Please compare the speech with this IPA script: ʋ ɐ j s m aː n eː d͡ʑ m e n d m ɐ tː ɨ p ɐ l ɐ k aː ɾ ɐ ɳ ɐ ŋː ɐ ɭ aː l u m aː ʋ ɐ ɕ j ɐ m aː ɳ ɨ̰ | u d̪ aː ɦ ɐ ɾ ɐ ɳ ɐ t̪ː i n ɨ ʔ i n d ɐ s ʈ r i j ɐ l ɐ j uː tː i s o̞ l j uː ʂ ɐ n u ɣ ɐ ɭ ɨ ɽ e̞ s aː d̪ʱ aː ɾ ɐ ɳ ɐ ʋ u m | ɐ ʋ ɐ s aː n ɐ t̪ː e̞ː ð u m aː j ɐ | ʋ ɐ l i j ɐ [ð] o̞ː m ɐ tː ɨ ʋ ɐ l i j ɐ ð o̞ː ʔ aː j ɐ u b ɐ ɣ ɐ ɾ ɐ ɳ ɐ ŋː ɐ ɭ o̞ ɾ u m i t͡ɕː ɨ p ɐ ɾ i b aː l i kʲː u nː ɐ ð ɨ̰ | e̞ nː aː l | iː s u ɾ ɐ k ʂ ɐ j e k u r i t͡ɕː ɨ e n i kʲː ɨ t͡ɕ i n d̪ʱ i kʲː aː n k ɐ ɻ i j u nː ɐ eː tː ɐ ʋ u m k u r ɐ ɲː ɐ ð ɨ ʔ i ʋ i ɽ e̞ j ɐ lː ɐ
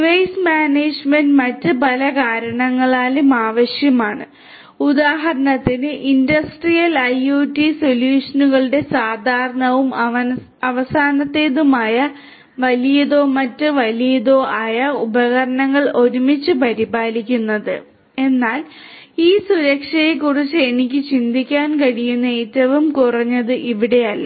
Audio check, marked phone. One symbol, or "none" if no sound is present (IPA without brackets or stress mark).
ð